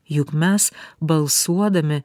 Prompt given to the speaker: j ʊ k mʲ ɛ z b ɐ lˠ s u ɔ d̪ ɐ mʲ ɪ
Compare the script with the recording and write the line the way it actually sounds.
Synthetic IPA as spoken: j ʊ k mʲ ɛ s b ɐ lˠ s u ɔ d̪ ɐ mʲ ɪ